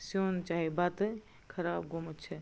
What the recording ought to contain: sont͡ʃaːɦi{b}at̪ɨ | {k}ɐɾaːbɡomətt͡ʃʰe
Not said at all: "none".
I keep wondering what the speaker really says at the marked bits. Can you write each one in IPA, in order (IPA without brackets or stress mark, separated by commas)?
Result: b, kʰ